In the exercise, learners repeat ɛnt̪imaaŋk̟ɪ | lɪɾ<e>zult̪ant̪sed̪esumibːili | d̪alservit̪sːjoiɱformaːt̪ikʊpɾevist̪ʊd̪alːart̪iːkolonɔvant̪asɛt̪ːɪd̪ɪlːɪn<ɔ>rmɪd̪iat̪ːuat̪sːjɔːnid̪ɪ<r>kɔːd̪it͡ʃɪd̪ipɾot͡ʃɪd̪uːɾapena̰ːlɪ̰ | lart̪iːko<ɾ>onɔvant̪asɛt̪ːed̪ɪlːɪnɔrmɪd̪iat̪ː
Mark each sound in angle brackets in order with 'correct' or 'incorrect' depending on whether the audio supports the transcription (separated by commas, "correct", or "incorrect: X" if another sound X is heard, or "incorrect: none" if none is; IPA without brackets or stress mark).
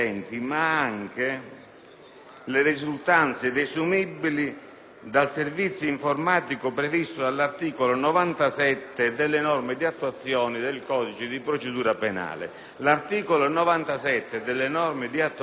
incorrect: i, correct, incorrect: l, incorrect: l